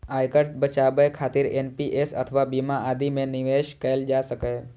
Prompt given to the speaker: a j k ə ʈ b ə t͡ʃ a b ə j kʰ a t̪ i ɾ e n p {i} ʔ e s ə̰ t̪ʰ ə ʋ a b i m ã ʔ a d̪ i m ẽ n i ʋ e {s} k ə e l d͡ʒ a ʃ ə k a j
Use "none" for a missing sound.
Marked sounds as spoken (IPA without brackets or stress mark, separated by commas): i, ʃ